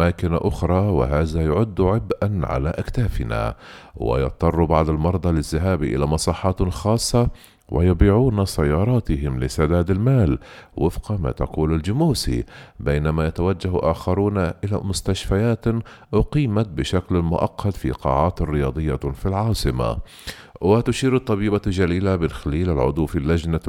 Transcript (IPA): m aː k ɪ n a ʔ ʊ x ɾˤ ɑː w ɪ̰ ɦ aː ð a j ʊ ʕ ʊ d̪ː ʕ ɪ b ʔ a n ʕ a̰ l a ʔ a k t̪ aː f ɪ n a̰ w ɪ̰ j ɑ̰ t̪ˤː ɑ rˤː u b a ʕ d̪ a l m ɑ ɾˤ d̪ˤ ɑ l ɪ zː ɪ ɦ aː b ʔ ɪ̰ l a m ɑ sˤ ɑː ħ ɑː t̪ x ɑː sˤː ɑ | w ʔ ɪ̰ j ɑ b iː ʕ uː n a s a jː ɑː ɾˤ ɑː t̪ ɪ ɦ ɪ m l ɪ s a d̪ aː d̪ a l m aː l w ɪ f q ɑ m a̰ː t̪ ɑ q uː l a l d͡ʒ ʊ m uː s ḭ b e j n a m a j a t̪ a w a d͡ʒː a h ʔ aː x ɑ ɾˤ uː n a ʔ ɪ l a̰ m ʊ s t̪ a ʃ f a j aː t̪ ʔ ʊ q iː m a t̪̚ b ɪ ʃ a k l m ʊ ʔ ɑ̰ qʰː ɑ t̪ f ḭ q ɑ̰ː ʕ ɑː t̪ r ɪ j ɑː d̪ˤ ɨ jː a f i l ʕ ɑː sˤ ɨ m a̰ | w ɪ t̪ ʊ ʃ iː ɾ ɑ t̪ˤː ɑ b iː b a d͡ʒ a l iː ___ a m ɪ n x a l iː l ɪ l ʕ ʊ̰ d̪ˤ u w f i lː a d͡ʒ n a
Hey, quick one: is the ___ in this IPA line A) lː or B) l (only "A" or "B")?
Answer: B